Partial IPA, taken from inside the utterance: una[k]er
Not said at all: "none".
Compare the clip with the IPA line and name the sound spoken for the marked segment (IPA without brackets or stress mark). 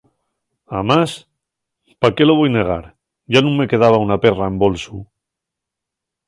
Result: p